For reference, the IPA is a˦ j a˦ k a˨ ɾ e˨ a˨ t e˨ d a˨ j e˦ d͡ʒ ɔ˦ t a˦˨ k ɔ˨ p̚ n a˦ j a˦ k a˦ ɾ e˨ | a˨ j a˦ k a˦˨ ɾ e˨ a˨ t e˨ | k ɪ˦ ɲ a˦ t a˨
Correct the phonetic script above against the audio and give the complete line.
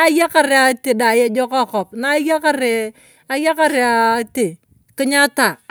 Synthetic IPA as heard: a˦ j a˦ k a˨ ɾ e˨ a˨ t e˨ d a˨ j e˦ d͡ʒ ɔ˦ k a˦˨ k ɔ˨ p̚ n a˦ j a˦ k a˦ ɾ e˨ | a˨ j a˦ k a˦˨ ɾ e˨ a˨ t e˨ | k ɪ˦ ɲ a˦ t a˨